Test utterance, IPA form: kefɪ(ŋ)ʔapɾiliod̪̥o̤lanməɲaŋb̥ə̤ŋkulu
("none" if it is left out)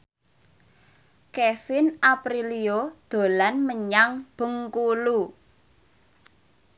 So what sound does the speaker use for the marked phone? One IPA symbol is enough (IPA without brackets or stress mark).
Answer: n